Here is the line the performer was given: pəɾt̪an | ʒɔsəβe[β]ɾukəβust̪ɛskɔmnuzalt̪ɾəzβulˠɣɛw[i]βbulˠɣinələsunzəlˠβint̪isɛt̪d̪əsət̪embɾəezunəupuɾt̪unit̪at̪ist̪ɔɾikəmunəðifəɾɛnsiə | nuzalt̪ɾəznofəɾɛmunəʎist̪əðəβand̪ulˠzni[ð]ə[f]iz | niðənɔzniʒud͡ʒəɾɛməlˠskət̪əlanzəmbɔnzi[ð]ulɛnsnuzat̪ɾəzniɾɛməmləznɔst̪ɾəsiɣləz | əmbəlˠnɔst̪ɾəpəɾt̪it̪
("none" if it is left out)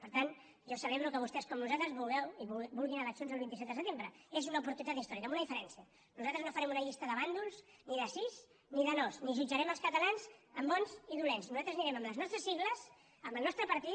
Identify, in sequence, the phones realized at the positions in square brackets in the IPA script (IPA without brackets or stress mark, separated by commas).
β, i, ð, s, ð